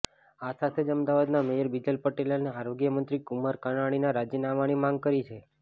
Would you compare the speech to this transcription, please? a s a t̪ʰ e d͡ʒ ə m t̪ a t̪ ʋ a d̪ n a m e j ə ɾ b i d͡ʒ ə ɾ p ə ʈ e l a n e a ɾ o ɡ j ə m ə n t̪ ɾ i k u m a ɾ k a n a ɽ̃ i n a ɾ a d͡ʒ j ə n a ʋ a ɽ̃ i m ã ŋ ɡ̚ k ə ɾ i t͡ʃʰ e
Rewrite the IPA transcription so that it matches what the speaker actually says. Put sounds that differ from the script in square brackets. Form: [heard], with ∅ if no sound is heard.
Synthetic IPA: a s a t̪ʰ e d͡ʒ ə m [d̪] a [∅] ʋ a d̪ n a m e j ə ɾ b i d͡ʒ ə [l] p ə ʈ e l a n e a ɾ o ɡ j ə m ə n t̪ ɾ i k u m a ɾ k a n a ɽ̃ i n a ɾ a d͡ʒ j ə n a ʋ a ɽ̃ i m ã ŋ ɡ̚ k ə ɾ i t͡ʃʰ e